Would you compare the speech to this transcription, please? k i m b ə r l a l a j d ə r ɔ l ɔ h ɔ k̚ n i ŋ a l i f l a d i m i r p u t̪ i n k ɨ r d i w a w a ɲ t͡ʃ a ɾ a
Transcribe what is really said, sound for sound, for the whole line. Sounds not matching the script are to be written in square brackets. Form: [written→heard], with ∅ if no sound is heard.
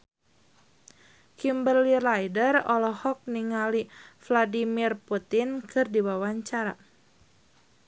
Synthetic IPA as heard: k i m b ə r l [a→i] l a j d ə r ɔ l ɔ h ɔ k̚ n i ŋ a l i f l a d i m i r p u t̪ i n k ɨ r d i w a w a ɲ t͡ʃ a ɾ a